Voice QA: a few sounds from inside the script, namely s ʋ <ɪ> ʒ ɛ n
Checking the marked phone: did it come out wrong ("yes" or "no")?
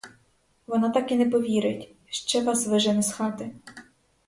no